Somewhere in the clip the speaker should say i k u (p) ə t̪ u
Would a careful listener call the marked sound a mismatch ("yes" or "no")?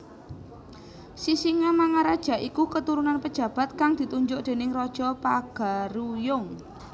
yes